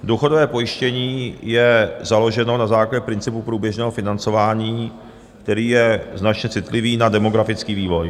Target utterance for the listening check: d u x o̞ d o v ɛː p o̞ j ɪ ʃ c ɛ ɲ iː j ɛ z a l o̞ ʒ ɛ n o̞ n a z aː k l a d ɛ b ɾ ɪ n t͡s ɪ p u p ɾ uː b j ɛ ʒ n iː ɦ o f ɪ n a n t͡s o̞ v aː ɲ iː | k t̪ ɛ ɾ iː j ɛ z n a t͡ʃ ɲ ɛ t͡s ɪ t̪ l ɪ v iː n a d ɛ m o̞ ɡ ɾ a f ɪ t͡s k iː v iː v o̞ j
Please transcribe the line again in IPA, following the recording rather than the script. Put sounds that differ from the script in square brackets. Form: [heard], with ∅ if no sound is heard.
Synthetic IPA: d u x o̞ d o v ɛː p o̞ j ɪ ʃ c ɛ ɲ iː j ɛ z a l o̞ ʒ ɛ n o̞ n a z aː k l a [ɟ] ɛ [p] ɾ ɪ n t͡s ɪ p u p ɾ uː b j ɛ ʒ n [ɛː] ɦ o f ɪ n a n t͡s o̞ v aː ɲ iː | k t̪ ɛ ɾ iː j ɛ z n a t͡ʃ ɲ ɛ t͡s ɪ t̪ l ɪ v iː n a d ɛ m o̞ ɡ ɾ a f ɪ t͡s k iː v iː v o̞ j